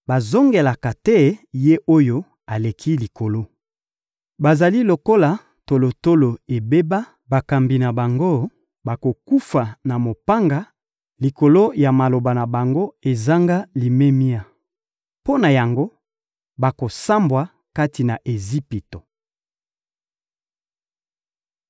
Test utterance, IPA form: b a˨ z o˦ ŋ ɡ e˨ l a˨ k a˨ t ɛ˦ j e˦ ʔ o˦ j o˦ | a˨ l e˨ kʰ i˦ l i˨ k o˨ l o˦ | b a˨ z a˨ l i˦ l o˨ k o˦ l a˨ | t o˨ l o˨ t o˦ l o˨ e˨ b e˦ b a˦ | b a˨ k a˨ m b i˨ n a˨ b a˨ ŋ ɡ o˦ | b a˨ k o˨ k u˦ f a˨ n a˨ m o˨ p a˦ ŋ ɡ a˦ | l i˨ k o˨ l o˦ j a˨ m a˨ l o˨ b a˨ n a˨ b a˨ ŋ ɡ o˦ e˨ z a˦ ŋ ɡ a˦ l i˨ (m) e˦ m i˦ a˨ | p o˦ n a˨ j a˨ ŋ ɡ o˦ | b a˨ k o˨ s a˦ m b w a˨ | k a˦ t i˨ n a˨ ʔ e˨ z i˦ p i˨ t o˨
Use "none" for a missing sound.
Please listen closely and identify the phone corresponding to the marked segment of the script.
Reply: m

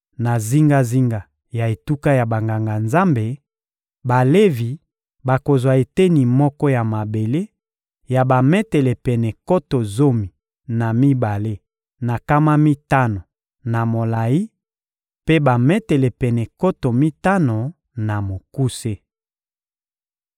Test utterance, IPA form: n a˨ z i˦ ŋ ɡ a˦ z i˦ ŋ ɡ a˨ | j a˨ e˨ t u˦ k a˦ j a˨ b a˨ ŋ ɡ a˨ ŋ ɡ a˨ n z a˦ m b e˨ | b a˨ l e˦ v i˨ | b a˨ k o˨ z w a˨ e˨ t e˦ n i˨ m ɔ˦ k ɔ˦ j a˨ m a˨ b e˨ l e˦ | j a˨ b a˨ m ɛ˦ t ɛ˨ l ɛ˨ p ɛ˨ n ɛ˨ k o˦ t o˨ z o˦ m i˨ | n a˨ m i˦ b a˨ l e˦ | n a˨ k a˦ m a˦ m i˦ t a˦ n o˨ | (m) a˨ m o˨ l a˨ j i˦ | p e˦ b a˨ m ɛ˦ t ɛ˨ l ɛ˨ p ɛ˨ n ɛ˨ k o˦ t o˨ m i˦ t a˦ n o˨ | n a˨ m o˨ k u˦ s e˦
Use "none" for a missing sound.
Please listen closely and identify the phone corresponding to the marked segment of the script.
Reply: n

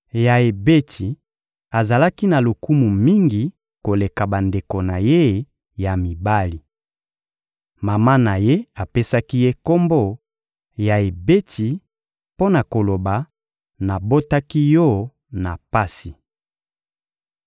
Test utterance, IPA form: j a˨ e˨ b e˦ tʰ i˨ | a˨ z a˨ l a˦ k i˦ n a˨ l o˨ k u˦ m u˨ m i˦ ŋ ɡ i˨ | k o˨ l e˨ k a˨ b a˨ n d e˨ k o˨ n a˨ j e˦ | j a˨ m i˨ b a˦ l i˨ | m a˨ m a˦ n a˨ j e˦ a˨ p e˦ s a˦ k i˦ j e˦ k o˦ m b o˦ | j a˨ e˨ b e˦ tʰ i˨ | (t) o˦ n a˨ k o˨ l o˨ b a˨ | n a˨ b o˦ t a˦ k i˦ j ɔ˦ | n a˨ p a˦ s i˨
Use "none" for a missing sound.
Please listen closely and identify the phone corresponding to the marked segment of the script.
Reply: p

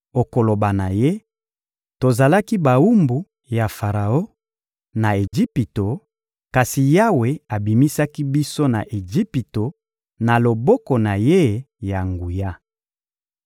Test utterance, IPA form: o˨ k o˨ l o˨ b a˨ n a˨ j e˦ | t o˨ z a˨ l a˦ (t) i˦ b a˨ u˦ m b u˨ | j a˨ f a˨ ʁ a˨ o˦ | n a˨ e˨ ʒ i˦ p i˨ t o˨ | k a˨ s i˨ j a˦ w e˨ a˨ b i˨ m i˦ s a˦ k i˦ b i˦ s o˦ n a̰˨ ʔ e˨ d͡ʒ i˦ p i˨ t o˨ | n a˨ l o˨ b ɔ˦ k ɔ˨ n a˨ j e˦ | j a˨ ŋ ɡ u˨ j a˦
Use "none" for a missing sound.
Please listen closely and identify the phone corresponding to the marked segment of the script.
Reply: k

